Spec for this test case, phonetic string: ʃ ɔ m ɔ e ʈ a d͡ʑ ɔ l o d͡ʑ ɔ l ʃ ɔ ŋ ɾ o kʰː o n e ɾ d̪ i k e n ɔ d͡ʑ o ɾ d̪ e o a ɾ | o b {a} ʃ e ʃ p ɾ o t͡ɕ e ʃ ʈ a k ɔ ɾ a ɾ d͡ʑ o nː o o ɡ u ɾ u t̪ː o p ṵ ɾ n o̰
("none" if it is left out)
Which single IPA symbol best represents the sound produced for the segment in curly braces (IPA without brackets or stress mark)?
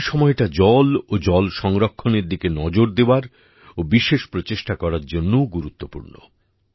i